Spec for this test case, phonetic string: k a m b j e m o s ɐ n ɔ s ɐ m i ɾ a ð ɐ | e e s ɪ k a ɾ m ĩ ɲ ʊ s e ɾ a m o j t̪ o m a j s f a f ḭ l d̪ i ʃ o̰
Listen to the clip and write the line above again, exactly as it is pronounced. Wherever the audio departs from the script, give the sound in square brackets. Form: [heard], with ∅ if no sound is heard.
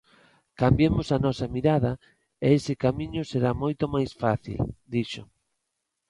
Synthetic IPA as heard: k a m b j e m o s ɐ n ɔ s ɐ m i ɾ a ð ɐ | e e s ɪ k a [∅] m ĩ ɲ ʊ s e ɾ a m o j t̪ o m a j s f a [θ] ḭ l d̪ i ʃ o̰